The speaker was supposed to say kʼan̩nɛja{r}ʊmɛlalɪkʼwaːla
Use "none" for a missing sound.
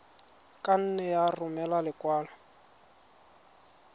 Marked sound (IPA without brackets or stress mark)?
r